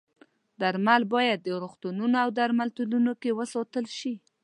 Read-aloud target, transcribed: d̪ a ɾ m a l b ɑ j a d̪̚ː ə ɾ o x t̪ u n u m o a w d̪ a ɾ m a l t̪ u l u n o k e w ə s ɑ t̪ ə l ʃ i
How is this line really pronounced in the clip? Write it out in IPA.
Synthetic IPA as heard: d̪ a ɾ m a l b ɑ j a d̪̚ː ə ɾ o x t̪ u n u n o a w d̪ a ɾ m a l t̪ u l u n o k e w ə s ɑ t̪ ə l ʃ i